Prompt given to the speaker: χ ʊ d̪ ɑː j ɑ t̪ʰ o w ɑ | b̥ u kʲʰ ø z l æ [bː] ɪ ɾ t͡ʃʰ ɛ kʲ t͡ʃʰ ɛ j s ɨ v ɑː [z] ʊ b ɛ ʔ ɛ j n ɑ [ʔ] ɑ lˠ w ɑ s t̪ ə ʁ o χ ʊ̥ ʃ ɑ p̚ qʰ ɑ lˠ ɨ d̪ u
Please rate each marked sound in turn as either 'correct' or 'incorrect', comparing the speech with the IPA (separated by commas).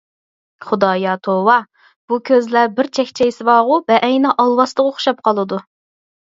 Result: incorrect, incorrect, correct